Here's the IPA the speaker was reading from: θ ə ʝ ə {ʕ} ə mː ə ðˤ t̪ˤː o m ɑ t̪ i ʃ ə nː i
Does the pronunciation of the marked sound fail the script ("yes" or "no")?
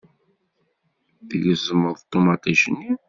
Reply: yes